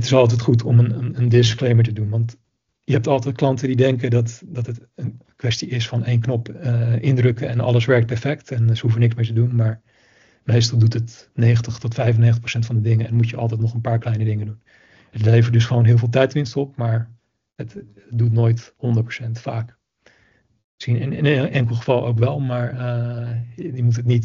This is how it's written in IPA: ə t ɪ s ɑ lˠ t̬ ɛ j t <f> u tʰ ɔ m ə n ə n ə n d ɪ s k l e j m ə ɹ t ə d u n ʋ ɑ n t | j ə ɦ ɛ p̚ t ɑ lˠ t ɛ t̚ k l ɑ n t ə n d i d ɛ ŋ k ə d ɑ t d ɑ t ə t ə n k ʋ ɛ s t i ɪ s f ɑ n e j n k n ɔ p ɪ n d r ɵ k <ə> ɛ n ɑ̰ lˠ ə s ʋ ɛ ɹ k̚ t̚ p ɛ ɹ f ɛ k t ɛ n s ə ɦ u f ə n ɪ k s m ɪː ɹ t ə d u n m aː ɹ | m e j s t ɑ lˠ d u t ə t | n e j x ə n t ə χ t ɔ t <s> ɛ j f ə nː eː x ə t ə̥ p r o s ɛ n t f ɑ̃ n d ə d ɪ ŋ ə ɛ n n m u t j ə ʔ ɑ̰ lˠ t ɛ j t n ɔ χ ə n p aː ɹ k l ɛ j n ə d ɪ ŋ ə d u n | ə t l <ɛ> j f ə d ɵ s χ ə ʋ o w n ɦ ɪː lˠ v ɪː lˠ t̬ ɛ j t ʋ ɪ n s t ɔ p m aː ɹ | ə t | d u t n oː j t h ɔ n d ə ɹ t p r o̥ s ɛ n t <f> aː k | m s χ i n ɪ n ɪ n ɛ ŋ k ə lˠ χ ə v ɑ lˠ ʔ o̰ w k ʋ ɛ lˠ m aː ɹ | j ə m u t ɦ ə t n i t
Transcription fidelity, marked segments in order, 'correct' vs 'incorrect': incorrect, correct, incorrect, incorrect, correct

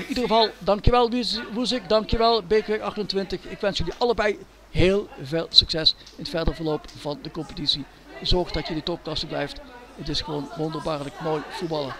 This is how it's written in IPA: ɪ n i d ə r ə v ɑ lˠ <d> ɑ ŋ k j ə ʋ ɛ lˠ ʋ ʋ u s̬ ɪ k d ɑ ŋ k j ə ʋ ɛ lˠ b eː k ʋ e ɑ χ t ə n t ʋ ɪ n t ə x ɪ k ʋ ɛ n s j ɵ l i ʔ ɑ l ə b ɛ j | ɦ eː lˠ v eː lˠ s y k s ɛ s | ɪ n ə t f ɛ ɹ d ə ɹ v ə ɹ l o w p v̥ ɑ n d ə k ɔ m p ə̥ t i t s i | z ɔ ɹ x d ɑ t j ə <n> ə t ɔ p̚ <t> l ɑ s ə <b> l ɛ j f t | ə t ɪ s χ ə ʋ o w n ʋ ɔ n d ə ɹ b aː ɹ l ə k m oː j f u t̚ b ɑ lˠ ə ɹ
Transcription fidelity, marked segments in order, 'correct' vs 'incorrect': correct, incorrect, incorrect, correct

